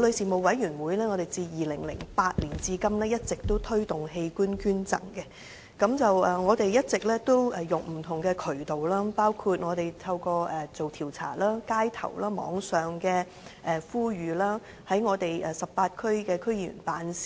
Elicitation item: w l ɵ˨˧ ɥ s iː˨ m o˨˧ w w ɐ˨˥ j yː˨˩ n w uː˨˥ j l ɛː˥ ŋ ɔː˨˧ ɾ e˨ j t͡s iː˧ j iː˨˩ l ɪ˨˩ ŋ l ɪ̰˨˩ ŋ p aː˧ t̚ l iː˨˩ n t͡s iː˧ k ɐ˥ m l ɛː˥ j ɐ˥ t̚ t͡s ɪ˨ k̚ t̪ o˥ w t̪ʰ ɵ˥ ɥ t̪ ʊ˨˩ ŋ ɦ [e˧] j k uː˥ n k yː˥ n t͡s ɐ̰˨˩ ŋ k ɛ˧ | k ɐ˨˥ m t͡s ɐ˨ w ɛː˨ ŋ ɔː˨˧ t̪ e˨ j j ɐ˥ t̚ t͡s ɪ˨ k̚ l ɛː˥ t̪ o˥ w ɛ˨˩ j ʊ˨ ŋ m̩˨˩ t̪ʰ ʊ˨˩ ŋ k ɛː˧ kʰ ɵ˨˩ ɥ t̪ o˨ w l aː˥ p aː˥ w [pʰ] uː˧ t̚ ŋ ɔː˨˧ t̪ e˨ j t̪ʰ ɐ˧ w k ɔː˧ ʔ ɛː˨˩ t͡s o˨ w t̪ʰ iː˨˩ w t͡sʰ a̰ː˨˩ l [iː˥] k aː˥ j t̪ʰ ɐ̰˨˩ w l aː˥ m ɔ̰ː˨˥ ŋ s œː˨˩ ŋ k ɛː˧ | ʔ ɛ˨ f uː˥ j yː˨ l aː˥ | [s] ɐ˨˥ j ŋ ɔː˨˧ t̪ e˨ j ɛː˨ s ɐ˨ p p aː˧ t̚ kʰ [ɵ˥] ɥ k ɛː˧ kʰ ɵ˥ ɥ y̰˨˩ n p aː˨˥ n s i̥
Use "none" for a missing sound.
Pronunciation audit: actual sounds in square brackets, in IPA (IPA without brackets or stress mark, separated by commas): e˧, kʰ, aː˥, h, ɵ˥